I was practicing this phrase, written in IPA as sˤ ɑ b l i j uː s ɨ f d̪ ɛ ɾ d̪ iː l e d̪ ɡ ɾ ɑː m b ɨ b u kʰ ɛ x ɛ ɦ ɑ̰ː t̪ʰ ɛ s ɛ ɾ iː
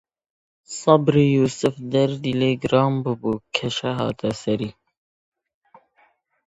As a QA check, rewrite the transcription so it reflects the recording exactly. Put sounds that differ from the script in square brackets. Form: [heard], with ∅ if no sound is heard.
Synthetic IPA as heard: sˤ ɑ b [ɾ] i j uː s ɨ f d̪ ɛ ɾ d̪ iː l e [∅] ɡ ɾ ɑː m b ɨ b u kʰ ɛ [ʃ] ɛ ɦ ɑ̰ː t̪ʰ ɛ s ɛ ɾ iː